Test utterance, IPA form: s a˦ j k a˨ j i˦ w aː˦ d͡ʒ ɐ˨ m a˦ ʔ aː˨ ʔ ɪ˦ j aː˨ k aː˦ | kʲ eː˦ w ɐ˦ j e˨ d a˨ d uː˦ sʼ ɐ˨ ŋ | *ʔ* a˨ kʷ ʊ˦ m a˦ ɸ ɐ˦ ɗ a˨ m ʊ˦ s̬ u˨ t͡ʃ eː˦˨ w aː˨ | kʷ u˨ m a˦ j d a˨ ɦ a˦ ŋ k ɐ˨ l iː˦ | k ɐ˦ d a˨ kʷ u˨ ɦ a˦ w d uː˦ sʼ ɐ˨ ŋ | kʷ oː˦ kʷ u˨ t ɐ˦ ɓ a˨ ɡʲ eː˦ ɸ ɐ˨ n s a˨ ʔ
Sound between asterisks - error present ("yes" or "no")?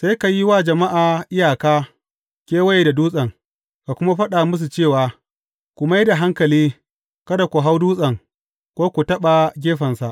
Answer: yes